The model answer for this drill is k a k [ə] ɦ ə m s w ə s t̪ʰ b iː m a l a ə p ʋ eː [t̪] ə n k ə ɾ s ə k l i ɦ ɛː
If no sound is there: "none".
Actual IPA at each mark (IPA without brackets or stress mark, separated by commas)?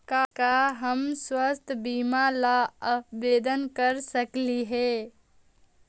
a, d̪